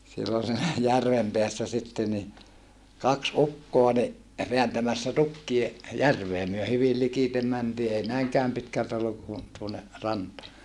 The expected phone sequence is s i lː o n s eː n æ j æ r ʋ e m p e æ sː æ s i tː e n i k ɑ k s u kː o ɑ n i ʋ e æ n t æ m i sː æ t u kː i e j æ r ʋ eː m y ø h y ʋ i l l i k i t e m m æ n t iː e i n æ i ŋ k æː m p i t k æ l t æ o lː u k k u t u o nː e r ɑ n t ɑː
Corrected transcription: s i lː o n s iː n æ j æ r ʋ e m p e æ sː æ s i tː e n i k ɑ k s u kː o ɑ n i ʋ e æ n t æ m æ sː æ t u kː i e j æ r ʋ eː m y ø h y ʋ i l l i k i t e m m æ n t iː e i n æ i ŋ k æː m p i t k æ l t æ o lː u k k u t u o nː e r ɑ n t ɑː